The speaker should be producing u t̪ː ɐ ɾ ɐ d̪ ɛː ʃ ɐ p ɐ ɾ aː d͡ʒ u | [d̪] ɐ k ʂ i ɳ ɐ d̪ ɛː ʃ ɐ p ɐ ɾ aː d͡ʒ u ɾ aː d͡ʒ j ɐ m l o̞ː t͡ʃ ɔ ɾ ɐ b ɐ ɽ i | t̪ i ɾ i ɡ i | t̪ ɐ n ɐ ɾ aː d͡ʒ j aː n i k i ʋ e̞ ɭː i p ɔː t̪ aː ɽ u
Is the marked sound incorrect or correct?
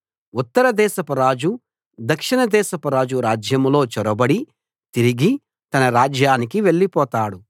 correct